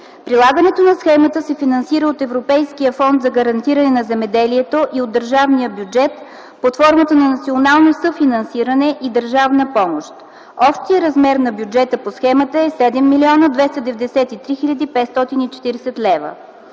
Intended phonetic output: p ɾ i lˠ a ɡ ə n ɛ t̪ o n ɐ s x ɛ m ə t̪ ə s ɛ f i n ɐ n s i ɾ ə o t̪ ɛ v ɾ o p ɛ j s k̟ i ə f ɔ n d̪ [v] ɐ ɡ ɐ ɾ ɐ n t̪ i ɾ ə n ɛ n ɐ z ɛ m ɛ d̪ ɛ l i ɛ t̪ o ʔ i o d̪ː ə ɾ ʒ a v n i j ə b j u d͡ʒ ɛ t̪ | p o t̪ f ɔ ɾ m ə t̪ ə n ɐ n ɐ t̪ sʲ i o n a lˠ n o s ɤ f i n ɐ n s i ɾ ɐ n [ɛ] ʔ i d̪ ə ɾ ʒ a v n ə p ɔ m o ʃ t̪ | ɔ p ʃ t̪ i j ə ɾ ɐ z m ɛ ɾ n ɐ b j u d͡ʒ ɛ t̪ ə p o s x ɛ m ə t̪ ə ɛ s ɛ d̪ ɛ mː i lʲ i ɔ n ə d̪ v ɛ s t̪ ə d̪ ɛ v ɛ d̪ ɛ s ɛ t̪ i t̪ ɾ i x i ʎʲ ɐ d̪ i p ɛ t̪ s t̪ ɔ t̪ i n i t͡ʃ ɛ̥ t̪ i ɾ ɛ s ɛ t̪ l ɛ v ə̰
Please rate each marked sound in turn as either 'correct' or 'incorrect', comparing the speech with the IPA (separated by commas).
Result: incorrect, correct